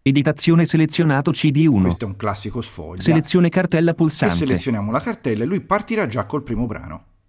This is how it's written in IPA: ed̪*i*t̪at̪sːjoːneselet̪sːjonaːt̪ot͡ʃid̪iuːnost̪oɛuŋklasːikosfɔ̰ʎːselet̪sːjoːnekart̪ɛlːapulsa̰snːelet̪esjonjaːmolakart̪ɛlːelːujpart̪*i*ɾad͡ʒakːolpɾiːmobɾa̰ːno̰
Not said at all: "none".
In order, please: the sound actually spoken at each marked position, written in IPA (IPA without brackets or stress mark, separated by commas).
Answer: i, i